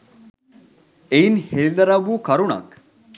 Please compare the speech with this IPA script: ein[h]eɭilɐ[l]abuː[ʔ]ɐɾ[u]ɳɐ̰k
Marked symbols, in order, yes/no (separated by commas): yes, no, no, yes